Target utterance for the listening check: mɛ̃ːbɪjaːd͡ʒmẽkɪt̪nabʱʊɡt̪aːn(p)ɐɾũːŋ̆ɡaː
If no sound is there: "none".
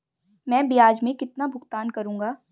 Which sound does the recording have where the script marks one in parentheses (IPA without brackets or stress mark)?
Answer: k